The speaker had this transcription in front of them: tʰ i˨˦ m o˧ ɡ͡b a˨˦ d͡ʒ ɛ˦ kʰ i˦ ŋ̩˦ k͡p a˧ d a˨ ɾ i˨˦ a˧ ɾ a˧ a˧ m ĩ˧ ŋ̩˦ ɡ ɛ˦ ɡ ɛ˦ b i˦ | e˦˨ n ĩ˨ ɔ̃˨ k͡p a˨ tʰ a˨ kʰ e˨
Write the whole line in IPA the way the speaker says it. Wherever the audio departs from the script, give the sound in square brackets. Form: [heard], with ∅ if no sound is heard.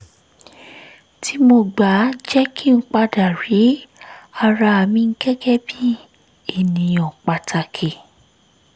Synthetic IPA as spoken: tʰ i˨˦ m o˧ ɡ͡b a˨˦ d͡ʒ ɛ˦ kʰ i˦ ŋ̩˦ k͡p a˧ d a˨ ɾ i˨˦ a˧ ɾ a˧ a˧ m ĩ˧ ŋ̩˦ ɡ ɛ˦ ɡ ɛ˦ b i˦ | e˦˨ n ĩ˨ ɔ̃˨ k͡p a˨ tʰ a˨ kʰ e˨